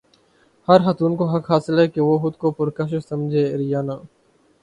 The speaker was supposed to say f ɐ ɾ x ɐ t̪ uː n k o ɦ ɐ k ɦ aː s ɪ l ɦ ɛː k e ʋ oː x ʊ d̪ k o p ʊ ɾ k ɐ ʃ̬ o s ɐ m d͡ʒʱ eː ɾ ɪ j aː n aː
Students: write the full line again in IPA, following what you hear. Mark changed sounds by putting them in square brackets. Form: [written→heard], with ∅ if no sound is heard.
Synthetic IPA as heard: [f→h] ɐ ɾ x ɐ t̪ uː n k o ɦ ɐ k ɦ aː s ɪ l ɦ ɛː k e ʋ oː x ʊ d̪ k o p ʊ ɾ k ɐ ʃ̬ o s ɐ m d͡ʒʱ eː ɾ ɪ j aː n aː